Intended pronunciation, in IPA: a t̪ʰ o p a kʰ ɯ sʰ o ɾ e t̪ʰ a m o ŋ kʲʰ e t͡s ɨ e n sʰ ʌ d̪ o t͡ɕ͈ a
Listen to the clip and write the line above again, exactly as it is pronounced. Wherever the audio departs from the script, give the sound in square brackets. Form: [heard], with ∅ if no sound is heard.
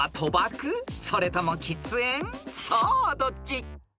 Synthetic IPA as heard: a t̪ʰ o [b] a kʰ ɯ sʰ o ɾ e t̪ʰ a m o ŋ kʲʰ [i] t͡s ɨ e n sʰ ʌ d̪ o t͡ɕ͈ [i]